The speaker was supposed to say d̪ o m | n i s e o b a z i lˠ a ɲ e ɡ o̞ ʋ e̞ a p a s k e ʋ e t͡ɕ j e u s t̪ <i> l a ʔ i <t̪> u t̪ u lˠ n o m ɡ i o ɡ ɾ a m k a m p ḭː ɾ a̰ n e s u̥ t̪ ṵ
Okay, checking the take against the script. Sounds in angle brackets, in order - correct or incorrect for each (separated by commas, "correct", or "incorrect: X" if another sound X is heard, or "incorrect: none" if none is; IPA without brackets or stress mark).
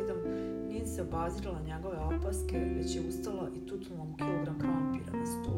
incorrect: a, correct